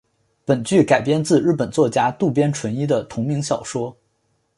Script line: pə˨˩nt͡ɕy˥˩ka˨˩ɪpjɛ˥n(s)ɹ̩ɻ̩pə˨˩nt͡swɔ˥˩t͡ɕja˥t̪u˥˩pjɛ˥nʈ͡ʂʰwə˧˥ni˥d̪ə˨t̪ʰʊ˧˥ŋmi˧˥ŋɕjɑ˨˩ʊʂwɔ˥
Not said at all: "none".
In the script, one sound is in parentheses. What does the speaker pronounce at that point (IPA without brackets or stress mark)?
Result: t͡s